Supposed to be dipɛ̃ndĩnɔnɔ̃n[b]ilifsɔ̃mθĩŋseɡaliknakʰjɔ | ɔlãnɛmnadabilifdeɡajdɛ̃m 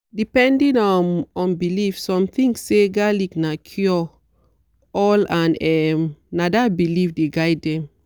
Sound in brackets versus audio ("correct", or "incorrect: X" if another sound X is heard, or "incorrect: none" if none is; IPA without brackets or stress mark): correct